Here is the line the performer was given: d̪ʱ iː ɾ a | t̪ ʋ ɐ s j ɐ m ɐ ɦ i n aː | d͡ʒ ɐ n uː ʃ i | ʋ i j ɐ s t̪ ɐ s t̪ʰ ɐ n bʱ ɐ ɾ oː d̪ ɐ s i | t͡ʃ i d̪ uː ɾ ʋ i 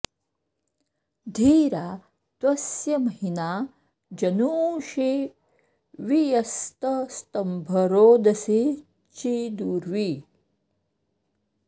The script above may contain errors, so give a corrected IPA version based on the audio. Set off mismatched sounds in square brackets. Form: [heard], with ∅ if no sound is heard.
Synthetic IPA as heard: d̪ʱ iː ɾ a | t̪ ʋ ɐ s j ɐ m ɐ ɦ i n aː | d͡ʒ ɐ n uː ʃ i | ʋ i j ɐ s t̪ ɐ s [t̪] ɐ [m] bʱ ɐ ɾ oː d̪ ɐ s i | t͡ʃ i d̪ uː ɾ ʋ i